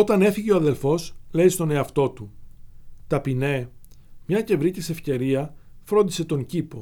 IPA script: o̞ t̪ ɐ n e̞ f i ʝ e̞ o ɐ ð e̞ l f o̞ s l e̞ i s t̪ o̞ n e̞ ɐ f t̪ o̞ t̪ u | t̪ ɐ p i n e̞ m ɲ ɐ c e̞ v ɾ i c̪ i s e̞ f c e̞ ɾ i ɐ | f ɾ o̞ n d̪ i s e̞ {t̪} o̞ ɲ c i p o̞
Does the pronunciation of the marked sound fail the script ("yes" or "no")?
no